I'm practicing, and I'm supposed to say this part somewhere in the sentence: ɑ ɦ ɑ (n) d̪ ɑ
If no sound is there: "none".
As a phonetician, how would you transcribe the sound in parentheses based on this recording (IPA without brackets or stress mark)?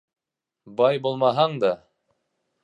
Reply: ɴ